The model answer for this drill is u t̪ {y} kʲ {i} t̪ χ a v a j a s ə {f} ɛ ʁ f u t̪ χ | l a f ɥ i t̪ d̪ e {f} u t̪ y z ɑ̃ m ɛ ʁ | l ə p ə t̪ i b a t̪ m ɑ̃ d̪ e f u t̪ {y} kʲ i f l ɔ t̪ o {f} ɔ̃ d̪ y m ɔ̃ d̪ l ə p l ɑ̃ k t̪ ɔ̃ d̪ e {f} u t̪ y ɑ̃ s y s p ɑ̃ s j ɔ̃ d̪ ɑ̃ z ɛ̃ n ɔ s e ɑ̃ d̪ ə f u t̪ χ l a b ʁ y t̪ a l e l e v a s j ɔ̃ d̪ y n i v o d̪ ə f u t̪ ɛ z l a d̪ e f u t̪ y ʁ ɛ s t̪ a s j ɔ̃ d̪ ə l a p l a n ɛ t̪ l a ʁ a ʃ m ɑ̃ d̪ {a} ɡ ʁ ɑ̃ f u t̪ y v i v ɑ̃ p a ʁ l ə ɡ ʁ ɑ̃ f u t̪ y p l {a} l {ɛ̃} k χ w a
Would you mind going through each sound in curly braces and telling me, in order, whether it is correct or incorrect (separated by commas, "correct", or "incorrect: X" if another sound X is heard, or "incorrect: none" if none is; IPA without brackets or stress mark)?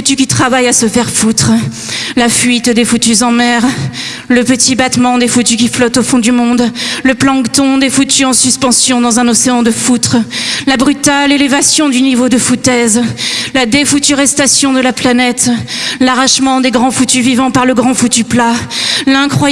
correct, correct, correct, correct, correct, correct, correct, incorrect: e, correct, correct